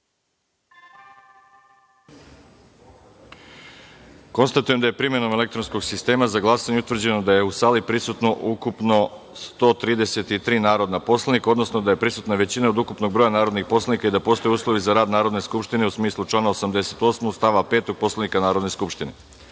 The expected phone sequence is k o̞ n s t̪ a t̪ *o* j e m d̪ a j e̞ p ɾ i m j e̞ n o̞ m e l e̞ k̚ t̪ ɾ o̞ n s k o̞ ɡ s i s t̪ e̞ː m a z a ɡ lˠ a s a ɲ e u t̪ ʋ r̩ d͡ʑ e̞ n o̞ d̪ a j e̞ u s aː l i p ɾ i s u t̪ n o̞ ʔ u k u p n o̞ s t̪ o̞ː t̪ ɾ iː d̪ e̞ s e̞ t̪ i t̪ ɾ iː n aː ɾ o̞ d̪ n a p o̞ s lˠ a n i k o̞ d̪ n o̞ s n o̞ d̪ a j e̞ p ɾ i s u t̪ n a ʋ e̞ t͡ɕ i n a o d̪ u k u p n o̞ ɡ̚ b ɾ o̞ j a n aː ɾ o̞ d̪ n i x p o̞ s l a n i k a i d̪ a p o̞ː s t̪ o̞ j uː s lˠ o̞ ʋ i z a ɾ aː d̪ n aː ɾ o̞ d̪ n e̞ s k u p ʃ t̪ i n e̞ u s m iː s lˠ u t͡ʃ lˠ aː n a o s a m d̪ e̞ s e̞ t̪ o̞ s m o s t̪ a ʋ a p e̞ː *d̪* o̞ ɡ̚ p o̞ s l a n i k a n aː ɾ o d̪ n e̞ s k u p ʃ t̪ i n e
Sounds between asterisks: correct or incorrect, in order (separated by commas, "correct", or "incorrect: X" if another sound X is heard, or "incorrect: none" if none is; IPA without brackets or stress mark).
incorrect: u, incorrect: t̪